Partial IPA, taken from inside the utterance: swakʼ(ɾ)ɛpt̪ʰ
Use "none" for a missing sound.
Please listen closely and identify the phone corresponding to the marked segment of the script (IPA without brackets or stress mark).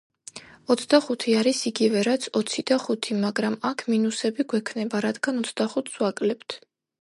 l